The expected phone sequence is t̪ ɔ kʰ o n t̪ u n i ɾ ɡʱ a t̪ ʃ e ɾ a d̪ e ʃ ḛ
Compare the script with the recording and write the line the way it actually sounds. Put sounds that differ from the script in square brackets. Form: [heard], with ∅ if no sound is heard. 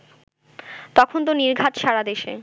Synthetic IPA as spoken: t̪ ɔ kʰ o n t̪ [o] n i ɾ ɡʱ a t̪ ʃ [a] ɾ a d̪ e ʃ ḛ